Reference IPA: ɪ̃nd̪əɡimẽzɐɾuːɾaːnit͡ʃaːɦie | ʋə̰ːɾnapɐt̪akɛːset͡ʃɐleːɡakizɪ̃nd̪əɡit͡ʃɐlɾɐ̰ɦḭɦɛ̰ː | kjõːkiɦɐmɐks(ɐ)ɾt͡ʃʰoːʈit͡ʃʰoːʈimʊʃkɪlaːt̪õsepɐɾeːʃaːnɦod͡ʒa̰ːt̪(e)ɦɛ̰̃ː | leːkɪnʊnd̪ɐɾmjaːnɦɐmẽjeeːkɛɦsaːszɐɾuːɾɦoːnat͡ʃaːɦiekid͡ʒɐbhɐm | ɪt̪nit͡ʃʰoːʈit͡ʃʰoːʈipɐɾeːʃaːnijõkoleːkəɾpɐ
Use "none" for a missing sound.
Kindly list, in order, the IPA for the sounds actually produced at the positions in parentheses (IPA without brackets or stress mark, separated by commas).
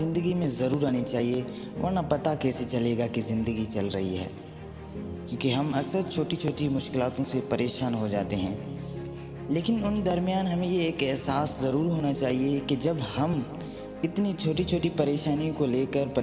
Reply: ə, e